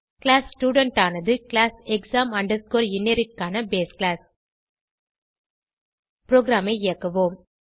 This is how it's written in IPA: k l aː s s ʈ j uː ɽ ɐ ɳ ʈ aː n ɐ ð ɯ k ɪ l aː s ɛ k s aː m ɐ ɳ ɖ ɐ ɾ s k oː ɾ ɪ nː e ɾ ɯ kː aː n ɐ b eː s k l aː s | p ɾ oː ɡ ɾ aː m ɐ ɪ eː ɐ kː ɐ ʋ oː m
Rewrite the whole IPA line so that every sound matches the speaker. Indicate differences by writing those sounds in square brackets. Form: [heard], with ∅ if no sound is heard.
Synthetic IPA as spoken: k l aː s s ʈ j uː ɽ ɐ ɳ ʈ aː n ɐ ð ɯ k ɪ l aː s ɛ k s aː m ɐ ɳ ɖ ɐ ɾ s k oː ɾ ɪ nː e ɾ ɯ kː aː n ɐ b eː s k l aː s | p ɾ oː ɡ ɾ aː m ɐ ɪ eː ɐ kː ɐ ʋ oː m

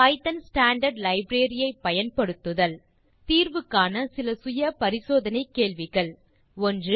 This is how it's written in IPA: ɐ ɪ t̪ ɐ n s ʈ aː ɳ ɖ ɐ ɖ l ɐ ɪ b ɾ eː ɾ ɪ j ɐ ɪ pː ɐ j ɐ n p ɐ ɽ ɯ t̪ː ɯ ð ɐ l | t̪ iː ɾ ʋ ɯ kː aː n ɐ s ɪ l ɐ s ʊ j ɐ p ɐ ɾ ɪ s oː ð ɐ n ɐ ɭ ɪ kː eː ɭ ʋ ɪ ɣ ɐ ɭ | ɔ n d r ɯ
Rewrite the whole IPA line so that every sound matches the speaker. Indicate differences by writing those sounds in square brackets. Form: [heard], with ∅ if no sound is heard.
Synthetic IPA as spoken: ɐ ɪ t̪ ɐ n s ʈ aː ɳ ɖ ɐ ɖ l ɐ ɪ b ɾ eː ɾ ɪ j ɐ ɪ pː ɐ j ɐ n p ɐ ɽ ɯ t̪ː ɯ ð ɐ l | t̪ iː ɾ ʋ ɯ kː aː n ɐ s ɪ l ɐ s ʊ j ɐ p ɐ ɾ ɪ s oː ð ɐ n ɐ [∅] ɪ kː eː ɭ ʋ ɪ ɣ ɐ ɭ | ɔ n d r ɯ

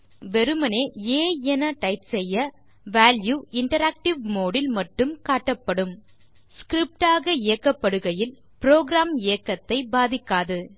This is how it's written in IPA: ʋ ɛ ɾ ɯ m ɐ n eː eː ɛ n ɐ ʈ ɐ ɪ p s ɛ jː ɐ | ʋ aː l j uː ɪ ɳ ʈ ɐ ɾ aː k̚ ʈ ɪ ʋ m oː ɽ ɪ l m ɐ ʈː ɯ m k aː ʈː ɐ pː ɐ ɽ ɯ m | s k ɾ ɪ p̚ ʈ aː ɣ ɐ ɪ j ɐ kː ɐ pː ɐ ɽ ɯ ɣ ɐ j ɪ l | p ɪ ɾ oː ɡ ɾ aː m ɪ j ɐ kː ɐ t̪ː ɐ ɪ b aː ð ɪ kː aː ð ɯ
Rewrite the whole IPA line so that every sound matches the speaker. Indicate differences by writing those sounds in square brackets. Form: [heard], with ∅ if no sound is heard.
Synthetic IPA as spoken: ʋ ɛ ɾ ɯ m ɐ n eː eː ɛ n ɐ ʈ ɐ ɪ p s ɛ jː ɐ | ʋ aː l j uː ɪ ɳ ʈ ɐ ɾ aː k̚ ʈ ɪ ʋ m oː ɽ ɪ l m ɐ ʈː ɯ m k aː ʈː ɐ pː ɐ ɽ ɯ m | s k ɾ ɪ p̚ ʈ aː ɣ ɐ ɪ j ɐ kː ɐ pː ɐ ɽ ɯ ɣ ɐ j ɪ l | p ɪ ɾ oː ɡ ɾ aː m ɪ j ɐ kː ɐ t̪ː ɐ ɪ b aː ð ɪ kː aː ð ɯ

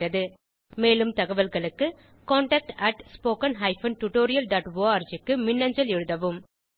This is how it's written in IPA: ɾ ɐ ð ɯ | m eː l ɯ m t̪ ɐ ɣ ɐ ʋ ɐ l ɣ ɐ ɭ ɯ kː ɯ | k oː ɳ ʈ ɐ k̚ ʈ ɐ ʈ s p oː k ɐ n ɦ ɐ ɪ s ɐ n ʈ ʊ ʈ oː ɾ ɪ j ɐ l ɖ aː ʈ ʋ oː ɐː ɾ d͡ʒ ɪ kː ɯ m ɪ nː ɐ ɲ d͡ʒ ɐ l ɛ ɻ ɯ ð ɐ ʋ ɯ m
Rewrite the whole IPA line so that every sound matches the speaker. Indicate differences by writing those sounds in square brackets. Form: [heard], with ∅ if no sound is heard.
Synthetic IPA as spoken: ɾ ɐ ð ɯ | m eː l ɯ m t̪ ɐ ɣ ɐ ʋ ɐ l ɣ ɐ ɭ ɯ kː ɯ | k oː ɳ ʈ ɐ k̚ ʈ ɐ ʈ s p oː k ɐ n ɦ ɐ ɪ [f] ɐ n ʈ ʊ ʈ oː ɾ ɪ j ɐ l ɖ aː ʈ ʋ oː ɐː ɾ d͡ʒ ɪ kː ɯ m ɪ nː ɐ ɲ d͡ʒ ɐ l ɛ ɻ ɯ ð ɐ ʋ ɯ m

